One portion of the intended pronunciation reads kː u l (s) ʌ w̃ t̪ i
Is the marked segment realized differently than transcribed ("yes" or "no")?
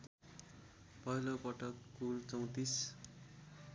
yes